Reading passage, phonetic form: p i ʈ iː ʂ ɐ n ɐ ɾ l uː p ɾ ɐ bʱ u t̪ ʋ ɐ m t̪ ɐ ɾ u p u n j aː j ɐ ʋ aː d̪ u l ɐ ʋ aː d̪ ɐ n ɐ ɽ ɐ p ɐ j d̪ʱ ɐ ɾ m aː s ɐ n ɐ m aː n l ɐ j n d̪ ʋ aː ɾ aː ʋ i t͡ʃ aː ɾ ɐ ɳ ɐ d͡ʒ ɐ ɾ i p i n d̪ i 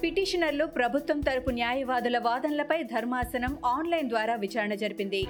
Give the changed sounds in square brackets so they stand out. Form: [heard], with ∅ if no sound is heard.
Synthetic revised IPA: p i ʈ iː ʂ ɐ n ɐ ɾ l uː p ɾ ɐ bʱ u t̪ ʋ ɐ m t̪ ɐ ɾ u p u n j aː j ɐ ʋ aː d̪ u l ɐ ʋ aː d̪ ɐ n ɐ [l] ɐ p ɐ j d̪ʱ ɐ ɾ m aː s ɐ n ɐ m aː n l ɐ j n d̪ ʋ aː ɾ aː ʋ i t͡ʃ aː ɾ ɐ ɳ ɐ d͡ʒ ɐ ɾ i p i n d̪ i